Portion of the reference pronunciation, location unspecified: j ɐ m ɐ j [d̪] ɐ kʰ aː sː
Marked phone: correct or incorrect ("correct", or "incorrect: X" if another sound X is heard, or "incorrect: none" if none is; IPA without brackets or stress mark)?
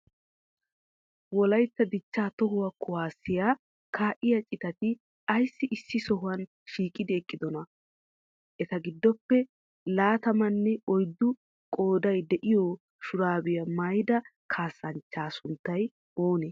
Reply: correct